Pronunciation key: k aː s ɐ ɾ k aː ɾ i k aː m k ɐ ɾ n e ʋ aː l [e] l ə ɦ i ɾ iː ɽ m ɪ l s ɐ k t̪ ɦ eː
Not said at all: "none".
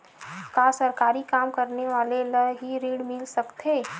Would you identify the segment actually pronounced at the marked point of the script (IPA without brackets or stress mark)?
e